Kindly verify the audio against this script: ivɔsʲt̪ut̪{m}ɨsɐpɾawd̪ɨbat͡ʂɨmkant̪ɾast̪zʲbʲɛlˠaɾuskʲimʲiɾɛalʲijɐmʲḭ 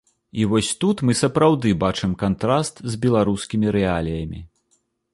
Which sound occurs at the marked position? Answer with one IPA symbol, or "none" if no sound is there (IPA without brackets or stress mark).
m